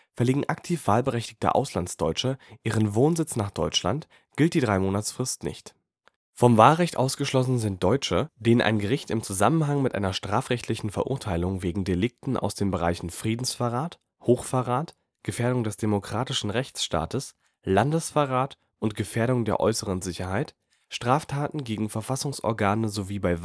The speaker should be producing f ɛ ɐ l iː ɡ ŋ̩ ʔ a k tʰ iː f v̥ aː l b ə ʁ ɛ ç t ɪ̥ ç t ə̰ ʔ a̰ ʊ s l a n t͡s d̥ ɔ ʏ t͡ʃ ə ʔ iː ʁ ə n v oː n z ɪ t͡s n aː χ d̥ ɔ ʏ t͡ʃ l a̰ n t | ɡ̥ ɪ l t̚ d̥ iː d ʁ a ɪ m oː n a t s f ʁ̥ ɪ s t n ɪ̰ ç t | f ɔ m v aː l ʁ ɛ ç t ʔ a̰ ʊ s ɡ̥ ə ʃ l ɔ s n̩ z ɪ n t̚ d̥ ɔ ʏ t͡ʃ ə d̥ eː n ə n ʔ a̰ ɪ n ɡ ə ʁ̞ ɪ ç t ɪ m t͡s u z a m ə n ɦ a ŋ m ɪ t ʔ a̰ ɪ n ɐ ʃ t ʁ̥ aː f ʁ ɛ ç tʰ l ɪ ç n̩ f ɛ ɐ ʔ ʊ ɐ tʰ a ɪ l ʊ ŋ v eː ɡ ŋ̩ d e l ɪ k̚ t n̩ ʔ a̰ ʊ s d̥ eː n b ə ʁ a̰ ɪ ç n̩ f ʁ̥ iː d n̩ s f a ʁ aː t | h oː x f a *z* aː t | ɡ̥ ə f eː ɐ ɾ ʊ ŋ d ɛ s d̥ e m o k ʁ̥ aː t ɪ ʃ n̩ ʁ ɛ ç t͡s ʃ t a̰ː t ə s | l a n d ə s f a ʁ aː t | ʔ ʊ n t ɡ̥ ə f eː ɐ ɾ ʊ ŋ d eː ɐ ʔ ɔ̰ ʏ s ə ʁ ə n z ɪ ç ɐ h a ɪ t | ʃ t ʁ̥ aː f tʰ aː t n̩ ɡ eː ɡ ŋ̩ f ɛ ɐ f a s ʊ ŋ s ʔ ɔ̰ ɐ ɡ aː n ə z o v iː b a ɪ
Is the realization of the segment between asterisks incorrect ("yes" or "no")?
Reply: yes